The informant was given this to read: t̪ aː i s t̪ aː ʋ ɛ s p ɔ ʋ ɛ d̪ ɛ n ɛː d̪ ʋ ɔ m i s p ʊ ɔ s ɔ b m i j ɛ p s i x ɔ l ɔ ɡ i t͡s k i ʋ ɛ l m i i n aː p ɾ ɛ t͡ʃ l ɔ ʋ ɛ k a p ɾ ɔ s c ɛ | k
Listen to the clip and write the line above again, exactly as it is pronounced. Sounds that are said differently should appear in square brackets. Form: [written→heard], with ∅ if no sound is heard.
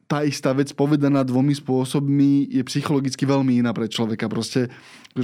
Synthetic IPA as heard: t̪ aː i s t̪ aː ʋ ɛ [s→t͡s] p ɔ ʋ ɛ d̪ [ɛ→a] n [ɛː→aː] d̪ ʋ ɔ m i s p ʊ ɔ s ɔ b m i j ɛ p s i x ɔ l ɔ ɡ i t͡s k i ʋ ɛ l m i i n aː p ɾ ɛ t͡ʃ l ɔ ʋ ɛ k a p ɾ ɔ s c ɛ | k